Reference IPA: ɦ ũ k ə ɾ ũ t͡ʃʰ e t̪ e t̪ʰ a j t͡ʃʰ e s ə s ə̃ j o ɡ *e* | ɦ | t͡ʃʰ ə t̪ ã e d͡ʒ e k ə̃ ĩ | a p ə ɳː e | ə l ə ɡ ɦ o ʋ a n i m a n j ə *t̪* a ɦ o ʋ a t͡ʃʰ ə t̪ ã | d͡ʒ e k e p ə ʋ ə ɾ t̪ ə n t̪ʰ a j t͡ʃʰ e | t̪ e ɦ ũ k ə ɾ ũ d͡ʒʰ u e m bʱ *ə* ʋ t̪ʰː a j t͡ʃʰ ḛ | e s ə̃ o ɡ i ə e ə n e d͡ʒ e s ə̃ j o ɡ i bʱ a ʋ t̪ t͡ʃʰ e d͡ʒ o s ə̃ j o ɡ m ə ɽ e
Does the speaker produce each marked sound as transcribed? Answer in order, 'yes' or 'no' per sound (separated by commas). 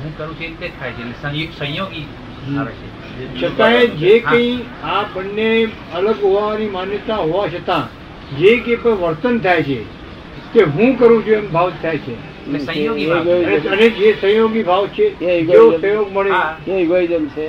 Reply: no, yes, no